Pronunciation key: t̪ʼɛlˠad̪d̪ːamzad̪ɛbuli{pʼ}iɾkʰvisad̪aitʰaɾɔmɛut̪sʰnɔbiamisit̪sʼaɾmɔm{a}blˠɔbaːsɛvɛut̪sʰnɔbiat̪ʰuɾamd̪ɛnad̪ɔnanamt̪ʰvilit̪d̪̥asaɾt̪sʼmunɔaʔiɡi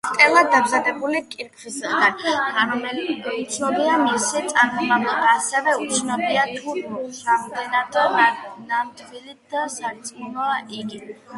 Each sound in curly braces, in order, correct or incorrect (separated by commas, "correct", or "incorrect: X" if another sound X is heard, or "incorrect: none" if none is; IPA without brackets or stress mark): incorrect: kʼ, correct